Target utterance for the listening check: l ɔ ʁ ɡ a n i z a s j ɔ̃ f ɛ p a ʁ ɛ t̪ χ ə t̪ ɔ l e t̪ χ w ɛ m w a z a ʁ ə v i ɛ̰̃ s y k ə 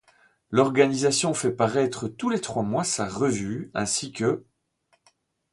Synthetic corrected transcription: l ɔ ʁ ɡ a n i z a s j ɔ̃ f ɛ p a ʁ ɛ t̪ χ ə t̪ u l e t̪ χ w a m w a s a ʁ ə v y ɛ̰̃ s i k ə